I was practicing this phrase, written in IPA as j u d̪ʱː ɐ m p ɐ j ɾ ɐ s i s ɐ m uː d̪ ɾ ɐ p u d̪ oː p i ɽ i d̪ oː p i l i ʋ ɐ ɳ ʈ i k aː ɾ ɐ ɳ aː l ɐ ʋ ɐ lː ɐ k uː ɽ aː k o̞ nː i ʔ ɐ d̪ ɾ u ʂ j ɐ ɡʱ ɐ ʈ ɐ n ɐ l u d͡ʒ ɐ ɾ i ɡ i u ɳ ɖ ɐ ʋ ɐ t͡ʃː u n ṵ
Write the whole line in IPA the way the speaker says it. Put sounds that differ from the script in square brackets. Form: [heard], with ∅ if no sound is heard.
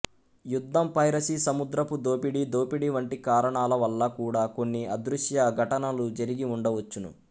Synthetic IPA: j u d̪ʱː ɐ m p ɐ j ɾ ɐ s i s ɐ m [u] d̪ ɾ ɐ p u d̪ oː p i ɽ i d̪ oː p i [ɽ] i ʋ ɐ ɳ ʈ i k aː ɾ ɐ ɳ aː l ɐ ʋ ɐ lː ɐ k uː ɽ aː k o̞ nː i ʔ ɐ d̪ ɾ u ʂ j ɐ ɡʱ ɐ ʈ ɐ n ɐ l u d͡ʒ ɐ ɾ i ɡ i u ɳ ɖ ɐ ʋ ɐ t͡ʃː u n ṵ